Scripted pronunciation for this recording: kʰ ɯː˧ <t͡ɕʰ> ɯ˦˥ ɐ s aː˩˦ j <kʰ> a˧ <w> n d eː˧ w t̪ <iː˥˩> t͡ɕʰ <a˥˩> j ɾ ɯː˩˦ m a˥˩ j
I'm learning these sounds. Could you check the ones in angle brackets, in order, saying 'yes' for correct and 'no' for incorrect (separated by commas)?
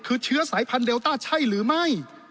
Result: yes, no, no, no, yes